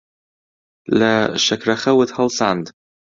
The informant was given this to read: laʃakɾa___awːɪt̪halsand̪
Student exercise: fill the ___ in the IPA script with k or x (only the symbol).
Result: x